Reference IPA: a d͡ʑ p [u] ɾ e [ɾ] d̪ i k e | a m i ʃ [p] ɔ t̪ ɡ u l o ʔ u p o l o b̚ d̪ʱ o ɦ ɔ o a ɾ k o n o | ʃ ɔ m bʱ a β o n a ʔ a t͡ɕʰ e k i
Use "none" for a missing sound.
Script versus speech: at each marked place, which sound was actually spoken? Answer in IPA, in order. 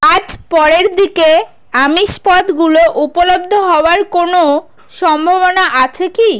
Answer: ɔ, ɾ, p

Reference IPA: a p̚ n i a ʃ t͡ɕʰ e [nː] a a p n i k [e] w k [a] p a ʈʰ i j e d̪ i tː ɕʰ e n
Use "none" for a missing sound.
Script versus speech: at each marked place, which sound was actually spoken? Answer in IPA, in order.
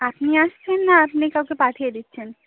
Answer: nː, a, e

